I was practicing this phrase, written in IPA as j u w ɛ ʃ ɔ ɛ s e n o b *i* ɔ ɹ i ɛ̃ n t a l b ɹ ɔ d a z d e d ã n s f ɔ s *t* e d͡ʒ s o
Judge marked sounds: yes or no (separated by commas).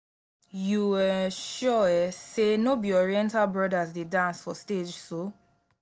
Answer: yes, yes